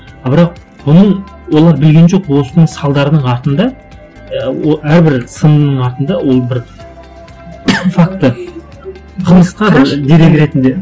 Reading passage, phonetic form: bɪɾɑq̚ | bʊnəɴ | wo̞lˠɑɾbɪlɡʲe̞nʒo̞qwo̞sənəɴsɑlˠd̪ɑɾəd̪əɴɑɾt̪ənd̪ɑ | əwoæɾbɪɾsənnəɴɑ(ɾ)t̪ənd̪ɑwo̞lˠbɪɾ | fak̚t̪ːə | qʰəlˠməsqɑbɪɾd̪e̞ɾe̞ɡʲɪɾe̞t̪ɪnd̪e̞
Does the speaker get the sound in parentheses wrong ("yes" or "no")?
no